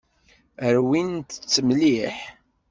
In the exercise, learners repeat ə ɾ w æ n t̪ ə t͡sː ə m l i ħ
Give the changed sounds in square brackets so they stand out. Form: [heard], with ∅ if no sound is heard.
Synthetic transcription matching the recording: ə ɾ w [i] n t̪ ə t͡sː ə m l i ħ